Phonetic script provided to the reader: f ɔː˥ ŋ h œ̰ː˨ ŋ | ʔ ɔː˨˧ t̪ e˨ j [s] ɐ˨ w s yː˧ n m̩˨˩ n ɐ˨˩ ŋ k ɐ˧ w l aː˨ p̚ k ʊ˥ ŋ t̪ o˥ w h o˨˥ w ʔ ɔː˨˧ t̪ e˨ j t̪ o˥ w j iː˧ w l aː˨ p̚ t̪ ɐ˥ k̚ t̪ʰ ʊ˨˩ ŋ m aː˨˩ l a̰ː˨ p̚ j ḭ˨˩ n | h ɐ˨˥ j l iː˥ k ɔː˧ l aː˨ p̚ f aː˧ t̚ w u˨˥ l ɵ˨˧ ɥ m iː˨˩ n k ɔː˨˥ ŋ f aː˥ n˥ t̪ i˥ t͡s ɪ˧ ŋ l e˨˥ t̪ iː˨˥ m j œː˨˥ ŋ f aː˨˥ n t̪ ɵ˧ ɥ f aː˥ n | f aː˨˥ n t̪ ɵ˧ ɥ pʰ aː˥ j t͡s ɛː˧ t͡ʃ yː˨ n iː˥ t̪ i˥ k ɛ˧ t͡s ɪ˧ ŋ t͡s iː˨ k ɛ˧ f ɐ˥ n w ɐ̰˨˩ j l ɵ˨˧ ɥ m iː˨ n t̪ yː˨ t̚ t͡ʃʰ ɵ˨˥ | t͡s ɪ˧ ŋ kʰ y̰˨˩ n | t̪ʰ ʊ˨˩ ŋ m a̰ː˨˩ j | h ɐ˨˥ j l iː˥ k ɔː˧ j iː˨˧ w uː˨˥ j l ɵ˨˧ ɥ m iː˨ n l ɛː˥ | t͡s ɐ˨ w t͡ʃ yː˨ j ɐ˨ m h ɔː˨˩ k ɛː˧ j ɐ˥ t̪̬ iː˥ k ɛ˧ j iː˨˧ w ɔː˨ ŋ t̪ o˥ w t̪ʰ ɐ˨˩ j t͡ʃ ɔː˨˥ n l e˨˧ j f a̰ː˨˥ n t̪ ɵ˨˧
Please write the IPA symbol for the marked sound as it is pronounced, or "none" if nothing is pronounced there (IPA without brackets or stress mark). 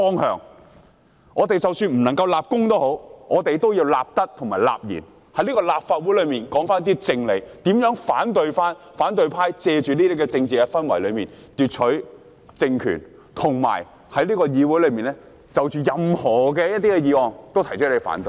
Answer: t͡s